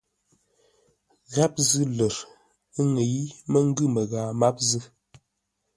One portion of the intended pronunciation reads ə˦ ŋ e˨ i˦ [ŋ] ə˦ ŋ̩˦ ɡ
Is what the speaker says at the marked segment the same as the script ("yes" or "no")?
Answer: no